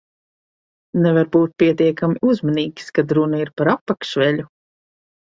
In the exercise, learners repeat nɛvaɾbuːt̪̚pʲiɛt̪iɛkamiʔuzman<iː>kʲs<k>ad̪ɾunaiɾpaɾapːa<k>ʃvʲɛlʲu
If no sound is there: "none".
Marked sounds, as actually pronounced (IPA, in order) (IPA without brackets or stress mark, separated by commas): iː, k, k